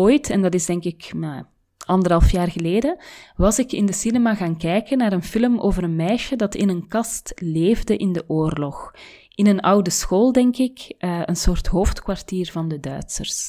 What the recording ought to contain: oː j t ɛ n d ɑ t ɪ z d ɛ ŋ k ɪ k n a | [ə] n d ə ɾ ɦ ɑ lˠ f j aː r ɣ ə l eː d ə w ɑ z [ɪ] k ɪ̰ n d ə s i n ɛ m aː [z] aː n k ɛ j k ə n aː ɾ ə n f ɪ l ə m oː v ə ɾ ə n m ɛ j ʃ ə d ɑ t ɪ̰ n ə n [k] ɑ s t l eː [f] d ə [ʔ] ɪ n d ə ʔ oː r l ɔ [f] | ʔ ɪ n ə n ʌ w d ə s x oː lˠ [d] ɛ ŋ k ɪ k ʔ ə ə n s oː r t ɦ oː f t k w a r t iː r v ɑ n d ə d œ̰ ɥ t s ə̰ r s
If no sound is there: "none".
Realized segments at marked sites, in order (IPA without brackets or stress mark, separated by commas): ɑ, ɪ, ɣ, k, v, ʔ, x, d